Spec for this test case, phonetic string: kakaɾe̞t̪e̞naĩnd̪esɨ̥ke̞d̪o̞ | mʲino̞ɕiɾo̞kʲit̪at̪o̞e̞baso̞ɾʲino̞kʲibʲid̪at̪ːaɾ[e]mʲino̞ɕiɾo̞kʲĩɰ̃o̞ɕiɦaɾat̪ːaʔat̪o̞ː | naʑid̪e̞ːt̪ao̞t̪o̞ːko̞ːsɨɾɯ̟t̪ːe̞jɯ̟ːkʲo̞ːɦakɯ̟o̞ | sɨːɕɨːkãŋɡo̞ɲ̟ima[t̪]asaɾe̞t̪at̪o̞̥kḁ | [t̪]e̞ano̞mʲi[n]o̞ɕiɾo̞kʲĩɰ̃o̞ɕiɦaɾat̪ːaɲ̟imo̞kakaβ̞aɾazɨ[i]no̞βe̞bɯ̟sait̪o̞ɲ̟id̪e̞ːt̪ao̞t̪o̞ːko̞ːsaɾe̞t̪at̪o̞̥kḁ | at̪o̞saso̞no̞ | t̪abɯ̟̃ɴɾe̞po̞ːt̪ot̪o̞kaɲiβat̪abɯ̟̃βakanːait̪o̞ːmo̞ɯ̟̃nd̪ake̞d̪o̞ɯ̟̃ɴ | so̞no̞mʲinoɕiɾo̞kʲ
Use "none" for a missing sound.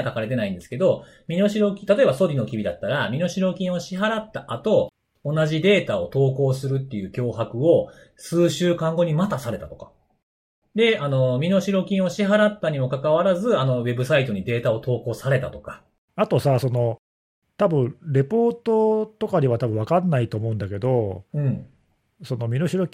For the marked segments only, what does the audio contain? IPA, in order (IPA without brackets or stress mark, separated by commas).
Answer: a, t̪, d̪, n, a